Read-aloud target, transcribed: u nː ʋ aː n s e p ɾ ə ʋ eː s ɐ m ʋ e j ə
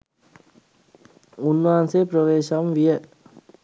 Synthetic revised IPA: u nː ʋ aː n s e p ɾ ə ʋ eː ʃ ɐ m ʋ i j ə